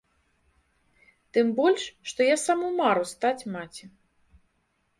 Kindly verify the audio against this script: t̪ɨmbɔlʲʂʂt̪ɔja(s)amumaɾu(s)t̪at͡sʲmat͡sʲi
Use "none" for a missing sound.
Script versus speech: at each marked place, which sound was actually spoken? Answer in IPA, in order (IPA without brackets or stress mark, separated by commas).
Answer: s, s